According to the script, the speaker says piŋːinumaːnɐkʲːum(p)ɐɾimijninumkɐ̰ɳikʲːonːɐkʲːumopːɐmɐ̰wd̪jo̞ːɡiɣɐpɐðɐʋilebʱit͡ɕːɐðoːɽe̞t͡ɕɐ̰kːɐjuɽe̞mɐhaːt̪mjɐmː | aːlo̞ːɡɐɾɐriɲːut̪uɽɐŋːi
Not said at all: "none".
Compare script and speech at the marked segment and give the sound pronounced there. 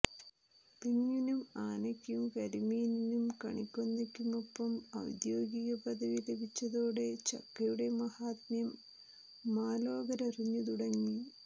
k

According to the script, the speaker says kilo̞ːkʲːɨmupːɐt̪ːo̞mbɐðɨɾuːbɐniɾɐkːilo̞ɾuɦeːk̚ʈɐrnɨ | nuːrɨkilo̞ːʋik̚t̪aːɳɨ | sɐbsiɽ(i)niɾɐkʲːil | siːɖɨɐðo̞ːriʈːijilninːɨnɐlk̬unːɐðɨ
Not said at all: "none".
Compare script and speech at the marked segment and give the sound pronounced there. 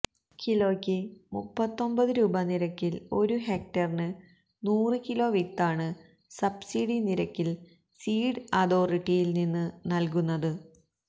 i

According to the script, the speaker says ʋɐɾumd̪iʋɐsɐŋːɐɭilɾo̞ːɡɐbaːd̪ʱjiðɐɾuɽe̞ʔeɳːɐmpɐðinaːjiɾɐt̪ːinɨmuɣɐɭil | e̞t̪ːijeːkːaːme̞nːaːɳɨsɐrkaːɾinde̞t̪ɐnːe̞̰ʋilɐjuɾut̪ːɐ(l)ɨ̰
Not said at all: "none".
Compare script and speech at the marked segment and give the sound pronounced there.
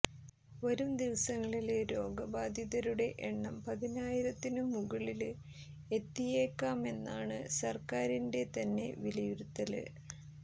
l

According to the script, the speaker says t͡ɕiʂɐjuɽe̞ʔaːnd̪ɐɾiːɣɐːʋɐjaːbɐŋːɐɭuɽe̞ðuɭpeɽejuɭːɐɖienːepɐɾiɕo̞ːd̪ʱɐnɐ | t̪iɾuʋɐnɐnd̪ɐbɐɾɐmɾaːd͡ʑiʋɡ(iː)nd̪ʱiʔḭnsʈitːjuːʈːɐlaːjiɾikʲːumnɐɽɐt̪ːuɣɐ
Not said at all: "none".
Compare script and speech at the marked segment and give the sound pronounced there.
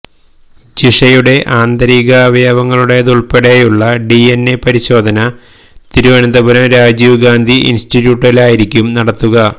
aː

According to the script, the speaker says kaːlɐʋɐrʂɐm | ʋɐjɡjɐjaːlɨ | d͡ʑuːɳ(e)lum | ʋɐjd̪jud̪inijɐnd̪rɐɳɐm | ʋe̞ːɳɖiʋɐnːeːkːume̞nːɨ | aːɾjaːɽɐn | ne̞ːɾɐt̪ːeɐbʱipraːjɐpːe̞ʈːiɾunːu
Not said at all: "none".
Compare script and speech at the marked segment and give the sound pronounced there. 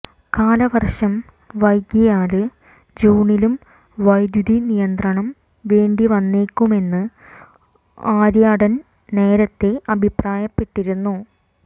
i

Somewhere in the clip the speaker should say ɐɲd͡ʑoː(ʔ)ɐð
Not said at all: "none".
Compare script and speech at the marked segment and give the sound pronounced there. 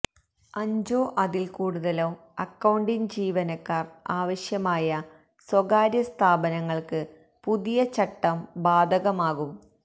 ʔ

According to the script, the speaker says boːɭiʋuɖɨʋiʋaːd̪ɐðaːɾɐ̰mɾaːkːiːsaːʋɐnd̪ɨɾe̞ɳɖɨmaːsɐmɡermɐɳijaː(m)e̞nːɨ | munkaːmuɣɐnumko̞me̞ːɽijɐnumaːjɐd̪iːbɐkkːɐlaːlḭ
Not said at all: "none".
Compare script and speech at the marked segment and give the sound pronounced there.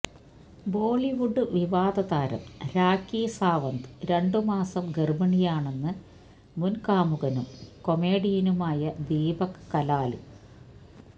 ɳ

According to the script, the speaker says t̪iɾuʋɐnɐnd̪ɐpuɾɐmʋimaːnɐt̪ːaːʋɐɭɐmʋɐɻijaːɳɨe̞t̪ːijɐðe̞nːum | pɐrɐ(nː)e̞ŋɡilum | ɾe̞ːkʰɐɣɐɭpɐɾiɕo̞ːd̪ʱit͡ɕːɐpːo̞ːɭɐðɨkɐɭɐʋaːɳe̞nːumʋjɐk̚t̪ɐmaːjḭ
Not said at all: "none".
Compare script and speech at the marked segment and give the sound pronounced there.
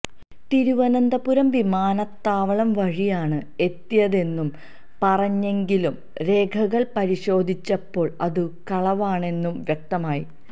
ɲː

